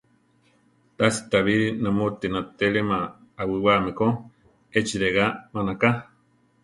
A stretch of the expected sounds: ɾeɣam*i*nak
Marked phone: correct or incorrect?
incorrect: a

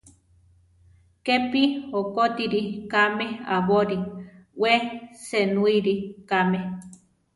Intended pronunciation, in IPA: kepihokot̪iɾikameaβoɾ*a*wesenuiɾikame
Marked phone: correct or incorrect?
incorrect: i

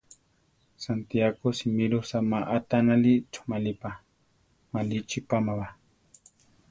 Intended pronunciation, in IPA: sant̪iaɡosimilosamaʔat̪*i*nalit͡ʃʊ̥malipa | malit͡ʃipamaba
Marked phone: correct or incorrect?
incorrect: a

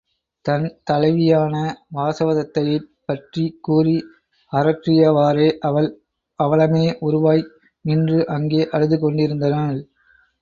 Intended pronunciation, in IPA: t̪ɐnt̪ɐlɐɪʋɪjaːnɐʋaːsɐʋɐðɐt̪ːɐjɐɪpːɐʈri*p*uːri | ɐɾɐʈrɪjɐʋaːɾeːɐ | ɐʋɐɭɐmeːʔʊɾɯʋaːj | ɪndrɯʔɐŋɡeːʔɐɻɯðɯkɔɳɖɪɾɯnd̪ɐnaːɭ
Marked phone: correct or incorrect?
incorrect: k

